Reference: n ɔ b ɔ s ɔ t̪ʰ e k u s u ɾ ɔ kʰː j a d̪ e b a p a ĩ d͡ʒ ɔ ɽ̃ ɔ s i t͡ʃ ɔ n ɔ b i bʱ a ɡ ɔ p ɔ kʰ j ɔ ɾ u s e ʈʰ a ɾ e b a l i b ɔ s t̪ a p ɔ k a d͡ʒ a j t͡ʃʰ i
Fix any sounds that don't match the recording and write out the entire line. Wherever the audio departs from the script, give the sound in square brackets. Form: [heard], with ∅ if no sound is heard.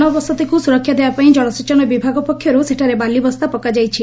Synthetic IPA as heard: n ɔ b ɔ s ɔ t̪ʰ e k u s u ɾ ɔ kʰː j a d̪ e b a p a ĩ d͡ʒ ɔ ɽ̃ ɔ s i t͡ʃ ɔ n ɔ b i bʱ a ɡ ɔ p ɔ kʰ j ɔ ɾ u s e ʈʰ a ɾ e b a l i b ɔ s t̪ a p ɔ k a d͡ʒ a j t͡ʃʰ i